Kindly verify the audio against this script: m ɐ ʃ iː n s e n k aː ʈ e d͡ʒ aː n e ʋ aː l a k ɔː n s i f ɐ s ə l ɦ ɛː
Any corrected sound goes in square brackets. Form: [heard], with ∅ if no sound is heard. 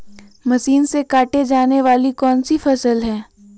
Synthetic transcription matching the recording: m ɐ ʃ iː n s e [∅] k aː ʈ e d͡ʒ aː n e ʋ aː l [i] k ɔː n s i f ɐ s ə l ɦ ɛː

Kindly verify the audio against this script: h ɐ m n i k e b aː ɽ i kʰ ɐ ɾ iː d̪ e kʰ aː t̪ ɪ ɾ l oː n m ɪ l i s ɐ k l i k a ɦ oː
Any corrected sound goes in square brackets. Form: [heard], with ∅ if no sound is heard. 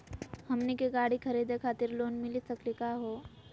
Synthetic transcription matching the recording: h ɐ m n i k e [ɡ] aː ɽ i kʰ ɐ ɾ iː d̪ e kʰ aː t̪ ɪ ɾ l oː n m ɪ l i s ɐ k l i k a ɦ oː

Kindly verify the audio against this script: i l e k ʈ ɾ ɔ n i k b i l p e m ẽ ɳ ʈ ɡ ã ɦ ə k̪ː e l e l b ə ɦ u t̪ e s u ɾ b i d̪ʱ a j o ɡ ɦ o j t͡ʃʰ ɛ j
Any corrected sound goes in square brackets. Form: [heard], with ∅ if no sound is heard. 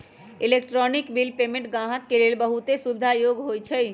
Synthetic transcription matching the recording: i l e k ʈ ɾ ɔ n i k b i l p e m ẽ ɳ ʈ ɡ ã ɦ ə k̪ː e l e l b ə ɦ u t̪ e s u [∅] b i d̪ʱ a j o ɡ ɦ o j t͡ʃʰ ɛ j

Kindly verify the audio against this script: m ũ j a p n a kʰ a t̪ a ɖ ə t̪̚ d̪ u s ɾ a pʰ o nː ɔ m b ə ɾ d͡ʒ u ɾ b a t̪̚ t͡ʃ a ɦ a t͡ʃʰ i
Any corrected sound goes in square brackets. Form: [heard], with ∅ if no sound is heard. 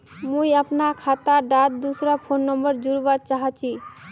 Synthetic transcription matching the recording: m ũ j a p n a kʰ a t̪ a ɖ [a] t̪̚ d̪ u s ɾ a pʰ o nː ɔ m b ə ɾ d͡ʒ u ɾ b a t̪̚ t͡ʃ a ɦ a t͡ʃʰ i

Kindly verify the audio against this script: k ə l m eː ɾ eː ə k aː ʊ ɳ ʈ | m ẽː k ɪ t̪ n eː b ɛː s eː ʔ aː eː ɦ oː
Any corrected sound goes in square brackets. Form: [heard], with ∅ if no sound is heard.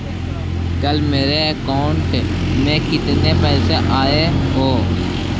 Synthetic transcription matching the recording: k ə l m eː ɾ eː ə k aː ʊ ɳ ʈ | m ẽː k ɪ t̪ n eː [p] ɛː s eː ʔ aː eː ɦ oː

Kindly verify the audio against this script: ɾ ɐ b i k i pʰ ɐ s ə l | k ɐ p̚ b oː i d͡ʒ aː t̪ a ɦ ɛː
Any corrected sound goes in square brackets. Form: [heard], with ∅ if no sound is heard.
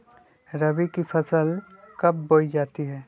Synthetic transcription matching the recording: ɾ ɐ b i k i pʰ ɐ s ə l | k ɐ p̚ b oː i d͡ʒ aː t̪ [i] ɦ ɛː

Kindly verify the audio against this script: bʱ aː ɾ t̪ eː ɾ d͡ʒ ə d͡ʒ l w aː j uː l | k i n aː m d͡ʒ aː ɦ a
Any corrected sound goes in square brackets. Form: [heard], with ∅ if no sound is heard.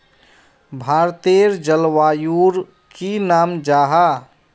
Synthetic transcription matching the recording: bʱ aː ɾ t̪ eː ɾ d͡ʒ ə [∅] l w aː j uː [ɾ] | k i n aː m d͡ʒ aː ɦ a

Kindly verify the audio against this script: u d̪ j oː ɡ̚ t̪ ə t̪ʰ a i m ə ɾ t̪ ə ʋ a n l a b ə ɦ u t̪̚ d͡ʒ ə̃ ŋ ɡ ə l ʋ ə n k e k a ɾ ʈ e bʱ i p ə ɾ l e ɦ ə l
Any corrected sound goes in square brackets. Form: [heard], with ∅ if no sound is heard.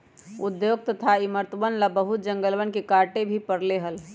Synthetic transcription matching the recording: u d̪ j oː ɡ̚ t̪ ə t̪ʰ a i m ə ɾ t̪ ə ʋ [ə] n l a b ə ɦ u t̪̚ d͡ʒ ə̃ ŋ ɡ ə l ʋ ə n k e k a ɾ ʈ e bʱ i p ə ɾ l e ɦ ə l

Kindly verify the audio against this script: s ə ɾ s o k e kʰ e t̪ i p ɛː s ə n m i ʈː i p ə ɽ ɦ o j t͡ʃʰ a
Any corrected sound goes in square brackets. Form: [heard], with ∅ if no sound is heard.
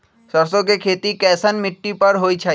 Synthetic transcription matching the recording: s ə ɾ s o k e kʰ e t̪ i [k] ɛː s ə n m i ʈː i p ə [ɾ] ɦ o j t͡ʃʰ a

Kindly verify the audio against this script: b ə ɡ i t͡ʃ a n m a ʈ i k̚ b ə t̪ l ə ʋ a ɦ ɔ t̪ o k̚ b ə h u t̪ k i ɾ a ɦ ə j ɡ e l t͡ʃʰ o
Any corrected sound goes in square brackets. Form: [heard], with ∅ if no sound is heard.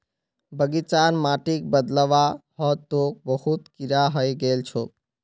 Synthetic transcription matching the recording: b ə ɡ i t͡ʃ a n m a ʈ i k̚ b ə [d̪] l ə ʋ a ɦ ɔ t̪ o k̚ b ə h u t̪ k i ɾ a ɦ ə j ɡ e l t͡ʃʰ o

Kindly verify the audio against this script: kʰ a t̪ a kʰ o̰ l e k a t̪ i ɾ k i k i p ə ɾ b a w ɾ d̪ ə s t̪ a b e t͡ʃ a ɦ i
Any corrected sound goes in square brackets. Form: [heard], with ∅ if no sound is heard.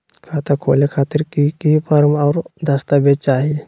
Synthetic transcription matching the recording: kʰ a t̪ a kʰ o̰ l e [kʰ] a t̪ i ɾ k i k i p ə ɾ [m] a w ɾ d̪ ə s t̪ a b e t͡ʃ a ɦ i

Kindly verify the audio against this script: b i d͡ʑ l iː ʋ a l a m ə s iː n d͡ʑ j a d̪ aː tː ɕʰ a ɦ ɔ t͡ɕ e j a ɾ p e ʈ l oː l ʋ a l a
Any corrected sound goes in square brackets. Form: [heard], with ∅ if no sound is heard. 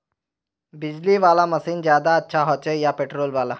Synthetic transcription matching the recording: b i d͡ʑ l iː ʋ a l a m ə s iː n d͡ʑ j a d̪ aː tː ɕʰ a ɦ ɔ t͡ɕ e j a [∅] p e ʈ [ɾ] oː l ʋ a l a

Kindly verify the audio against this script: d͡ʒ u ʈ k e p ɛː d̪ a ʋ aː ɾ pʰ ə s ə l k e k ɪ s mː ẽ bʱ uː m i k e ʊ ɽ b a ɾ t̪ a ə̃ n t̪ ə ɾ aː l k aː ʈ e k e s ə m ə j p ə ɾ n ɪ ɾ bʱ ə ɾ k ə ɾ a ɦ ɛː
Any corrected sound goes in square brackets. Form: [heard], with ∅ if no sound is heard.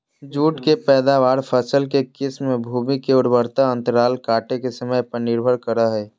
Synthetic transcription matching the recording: d͡ʒ [uː] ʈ k e p ɛː d̪ a ʋ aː ɾ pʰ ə s ə l k e k ɪ s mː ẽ bʱ uː m i k e ʊ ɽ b [ə] ɾ t̪ a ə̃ n t̪ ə ɾ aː l k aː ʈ e k e s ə m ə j p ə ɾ n ɪ ɾ bʱ ə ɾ k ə ɾ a ɦ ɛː

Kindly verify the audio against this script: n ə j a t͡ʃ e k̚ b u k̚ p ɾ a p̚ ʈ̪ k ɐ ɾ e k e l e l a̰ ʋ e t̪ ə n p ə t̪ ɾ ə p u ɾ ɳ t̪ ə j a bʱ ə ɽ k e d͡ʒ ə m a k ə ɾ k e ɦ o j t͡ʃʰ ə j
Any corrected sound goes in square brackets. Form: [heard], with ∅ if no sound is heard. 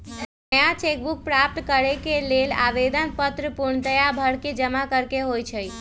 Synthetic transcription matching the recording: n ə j a t͡ʃ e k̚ b u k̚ p ɾ a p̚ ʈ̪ k [ə] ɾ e k e l e l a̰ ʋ e [d̪] ə n p ə t̪ ɾ ə p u ɾ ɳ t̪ ə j a bʱ ə ɽ k e d͡ʒ ə m a k ə ɾ k e ɦ o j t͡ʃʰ ə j

